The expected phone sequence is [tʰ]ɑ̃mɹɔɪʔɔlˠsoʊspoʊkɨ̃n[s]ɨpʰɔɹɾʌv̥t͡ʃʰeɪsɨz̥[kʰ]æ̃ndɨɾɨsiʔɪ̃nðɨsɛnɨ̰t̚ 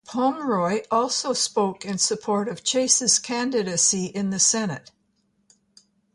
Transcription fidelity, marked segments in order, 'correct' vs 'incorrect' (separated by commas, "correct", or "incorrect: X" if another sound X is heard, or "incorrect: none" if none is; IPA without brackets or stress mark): incorrect: pʰ, correct, correct